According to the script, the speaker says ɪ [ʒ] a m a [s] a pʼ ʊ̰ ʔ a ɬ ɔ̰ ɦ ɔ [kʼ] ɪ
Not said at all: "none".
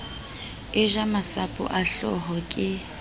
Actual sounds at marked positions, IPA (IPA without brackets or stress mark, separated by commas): ʒ, s, kʼ